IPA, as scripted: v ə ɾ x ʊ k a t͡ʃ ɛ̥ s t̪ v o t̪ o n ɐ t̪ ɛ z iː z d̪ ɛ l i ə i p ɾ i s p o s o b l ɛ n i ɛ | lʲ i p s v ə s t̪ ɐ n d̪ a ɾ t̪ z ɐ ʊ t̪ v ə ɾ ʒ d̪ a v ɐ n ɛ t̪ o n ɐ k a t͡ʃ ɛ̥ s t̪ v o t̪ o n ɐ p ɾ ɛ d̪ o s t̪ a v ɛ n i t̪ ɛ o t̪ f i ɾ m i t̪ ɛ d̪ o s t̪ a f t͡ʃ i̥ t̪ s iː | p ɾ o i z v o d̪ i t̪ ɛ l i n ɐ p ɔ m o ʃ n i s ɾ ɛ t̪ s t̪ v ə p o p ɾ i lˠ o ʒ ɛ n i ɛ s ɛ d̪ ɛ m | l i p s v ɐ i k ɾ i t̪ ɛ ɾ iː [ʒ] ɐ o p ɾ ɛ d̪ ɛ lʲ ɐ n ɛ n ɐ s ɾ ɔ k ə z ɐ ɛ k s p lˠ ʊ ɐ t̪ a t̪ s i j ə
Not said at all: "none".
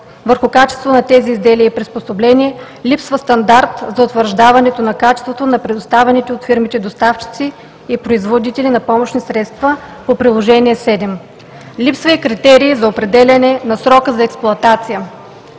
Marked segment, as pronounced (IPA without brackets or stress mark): z